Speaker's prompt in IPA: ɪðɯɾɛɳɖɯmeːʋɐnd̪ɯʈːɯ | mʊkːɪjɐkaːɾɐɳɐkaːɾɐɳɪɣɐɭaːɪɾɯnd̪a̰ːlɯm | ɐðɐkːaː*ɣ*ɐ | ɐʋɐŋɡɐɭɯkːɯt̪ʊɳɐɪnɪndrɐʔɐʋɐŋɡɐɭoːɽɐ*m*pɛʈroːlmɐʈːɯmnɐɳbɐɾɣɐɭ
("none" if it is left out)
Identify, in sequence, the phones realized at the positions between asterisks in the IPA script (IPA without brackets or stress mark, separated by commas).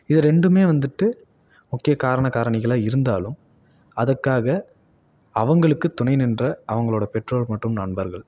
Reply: ɣ, none